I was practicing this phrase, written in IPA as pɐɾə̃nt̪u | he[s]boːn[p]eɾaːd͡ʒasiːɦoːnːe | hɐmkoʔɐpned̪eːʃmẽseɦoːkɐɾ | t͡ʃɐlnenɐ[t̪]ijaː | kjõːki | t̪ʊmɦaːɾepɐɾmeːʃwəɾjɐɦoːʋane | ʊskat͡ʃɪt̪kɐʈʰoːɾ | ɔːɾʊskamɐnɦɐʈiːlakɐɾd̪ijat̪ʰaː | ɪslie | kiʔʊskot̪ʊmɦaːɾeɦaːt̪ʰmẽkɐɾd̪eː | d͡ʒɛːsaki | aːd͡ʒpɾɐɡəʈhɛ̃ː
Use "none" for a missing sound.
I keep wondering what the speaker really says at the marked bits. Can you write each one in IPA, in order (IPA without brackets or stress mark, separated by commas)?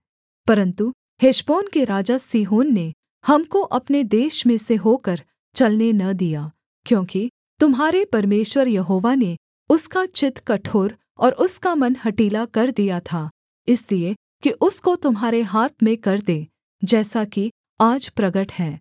ʃ, k, d̪